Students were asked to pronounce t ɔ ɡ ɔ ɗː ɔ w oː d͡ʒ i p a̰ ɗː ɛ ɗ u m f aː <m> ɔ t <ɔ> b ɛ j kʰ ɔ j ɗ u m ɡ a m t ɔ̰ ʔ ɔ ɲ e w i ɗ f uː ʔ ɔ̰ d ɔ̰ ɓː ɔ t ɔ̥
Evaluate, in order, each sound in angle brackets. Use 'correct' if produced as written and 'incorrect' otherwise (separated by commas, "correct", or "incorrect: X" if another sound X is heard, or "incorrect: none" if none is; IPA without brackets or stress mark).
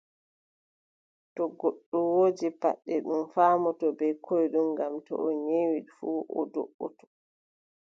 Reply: correct, correct